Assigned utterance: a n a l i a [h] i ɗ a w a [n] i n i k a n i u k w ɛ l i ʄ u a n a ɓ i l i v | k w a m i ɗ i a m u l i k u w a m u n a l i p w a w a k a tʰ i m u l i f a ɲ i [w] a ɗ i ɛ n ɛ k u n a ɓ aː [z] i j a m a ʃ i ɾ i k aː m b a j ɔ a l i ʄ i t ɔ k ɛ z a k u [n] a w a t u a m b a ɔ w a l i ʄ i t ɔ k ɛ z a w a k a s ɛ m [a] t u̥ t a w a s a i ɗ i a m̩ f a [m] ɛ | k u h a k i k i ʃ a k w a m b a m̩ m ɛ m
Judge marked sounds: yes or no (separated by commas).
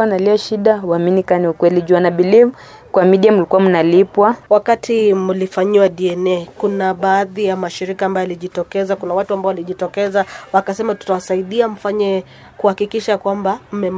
no, no, yes, no, yes, yes, no